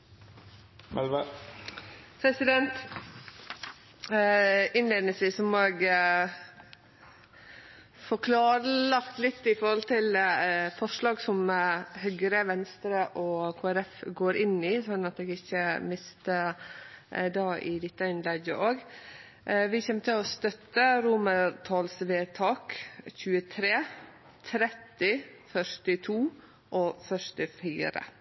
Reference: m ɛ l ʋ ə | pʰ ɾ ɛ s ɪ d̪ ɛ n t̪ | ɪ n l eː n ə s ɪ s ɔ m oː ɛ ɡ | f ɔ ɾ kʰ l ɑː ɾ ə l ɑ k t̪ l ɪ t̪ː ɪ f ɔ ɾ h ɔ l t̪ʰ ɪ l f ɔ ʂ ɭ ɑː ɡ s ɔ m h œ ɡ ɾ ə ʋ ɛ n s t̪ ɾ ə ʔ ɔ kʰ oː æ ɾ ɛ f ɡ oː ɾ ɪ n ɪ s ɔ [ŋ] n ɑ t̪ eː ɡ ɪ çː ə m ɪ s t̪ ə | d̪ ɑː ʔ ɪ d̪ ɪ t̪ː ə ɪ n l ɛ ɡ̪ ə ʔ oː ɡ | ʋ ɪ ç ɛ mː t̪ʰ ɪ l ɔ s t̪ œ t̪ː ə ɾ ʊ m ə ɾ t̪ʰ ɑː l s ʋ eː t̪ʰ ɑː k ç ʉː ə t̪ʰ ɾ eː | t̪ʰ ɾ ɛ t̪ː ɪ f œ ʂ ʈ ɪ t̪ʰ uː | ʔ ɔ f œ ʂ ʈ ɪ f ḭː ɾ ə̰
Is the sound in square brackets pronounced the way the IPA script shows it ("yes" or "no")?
no